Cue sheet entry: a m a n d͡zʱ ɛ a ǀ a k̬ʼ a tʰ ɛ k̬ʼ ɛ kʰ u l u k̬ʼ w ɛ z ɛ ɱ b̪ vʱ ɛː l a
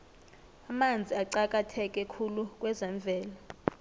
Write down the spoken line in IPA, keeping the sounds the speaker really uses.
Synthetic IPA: a m a n d͡zʱ i a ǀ a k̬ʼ a tʰ ɛ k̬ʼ ɛ kʰ u l u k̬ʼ w ɛ z ɛ ɱ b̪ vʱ ɛː l a